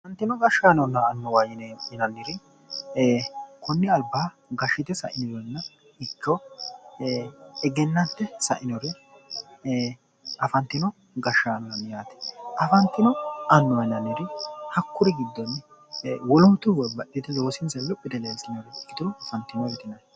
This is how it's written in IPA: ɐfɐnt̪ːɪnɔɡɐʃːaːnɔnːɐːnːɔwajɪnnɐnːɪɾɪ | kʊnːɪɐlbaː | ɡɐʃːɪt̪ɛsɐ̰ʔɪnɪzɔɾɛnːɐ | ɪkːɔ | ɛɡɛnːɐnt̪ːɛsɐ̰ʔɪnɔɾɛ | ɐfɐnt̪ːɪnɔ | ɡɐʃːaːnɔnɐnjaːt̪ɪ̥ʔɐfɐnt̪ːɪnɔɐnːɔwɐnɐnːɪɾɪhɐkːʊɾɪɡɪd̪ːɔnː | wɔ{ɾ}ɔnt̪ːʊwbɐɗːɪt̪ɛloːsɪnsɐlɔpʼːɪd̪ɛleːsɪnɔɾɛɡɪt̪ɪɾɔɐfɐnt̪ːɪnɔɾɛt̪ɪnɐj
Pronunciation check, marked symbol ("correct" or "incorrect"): incorrect